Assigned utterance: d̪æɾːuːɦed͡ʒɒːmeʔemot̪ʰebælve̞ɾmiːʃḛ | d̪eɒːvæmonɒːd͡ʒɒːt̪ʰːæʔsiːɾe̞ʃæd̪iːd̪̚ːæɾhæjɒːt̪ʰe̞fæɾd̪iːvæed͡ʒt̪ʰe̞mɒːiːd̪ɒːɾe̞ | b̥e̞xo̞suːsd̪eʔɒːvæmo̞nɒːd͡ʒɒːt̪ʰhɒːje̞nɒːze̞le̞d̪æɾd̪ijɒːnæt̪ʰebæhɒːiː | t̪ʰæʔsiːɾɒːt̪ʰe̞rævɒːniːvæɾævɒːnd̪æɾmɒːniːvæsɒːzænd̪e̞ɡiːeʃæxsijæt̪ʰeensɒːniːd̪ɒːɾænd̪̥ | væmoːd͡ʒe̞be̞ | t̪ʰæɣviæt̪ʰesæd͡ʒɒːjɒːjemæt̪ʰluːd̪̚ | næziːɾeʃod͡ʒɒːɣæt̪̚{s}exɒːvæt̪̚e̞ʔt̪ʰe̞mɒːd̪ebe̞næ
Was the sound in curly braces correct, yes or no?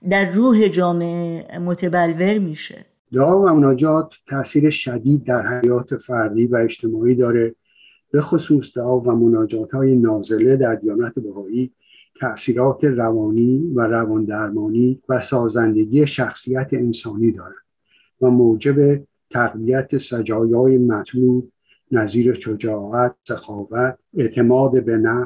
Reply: yes